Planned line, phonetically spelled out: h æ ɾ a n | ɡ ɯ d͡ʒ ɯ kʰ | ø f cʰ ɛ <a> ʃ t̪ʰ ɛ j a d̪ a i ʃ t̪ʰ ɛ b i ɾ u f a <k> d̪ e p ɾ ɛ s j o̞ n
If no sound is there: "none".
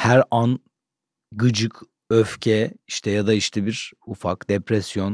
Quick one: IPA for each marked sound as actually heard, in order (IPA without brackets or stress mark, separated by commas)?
i, k